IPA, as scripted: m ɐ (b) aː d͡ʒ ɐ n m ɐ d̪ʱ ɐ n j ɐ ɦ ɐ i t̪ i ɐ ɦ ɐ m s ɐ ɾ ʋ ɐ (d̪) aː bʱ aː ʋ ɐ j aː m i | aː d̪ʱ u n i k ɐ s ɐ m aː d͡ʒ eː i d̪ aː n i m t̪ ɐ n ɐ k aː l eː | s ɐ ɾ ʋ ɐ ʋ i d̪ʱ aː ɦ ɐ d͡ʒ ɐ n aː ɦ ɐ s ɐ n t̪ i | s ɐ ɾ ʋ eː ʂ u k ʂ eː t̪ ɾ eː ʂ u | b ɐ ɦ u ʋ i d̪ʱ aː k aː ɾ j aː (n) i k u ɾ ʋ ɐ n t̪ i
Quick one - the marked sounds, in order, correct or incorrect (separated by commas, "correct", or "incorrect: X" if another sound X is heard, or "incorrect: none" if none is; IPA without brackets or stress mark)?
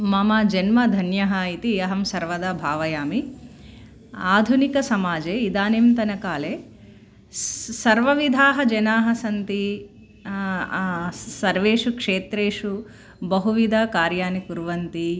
incorrect: m, correct, correct